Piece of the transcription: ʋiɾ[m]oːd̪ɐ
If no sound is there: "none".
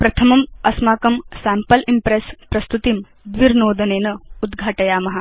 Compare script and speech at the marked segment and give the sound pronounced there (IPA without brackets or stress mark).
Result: n